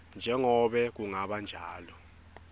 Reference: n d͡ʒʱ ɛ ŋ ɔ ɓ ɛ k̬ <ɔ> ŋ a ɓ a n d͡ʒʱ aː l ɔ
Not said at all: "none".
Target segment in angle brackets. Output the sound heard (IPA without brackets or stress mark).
u